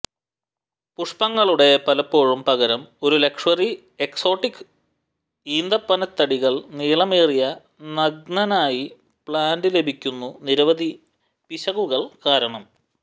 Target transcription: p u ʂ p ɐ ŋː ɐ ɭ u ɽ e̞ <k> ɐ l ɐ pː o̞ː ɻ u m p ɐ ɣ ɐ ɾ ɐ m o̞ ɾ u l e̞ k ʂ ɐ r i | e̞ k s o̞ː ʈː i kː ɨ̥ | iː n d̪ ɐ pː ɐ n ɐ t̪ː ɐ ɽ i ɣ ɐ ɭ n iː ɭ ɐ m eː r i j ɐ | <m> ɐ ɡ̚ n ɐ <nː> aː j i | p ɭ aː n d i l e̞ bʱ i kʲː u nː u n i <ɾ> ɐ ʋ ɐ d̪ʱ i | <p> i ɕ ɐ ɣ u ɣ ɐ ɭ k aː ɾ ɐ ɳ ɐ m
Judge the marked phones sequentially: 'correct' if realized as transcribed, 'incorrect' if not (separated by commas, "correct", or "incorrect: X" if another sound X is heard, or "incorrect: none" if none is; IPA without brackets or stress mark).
incorrect: p, incorrect: n, incorrect: n, correct, correct